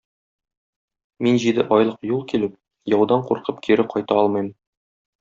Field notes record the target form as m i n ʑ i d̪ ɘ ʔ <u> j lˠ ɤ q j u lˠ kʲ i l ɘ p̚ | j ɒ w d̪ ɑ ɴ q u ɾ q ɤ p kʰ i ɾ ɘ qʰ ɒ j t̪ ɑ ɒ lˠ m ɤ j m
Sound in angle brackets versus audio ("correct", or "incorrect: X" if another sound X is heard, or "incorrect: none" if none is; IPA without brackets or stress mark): incorrect: ɒ